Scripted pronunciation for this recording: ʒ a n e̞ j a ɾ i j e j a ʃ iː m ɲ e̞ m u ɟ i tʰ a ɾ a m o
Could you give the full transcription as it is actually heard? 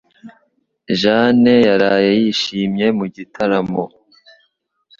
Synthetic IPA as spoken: ʒ a n e̞ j a ɾ a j e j i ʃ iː m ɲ e̞ m u ɟ i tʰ a ɾ a m o